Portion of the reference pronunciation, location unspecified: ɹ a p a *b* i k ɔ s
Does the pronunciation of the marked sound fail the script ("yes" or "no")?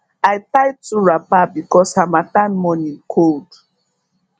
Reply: no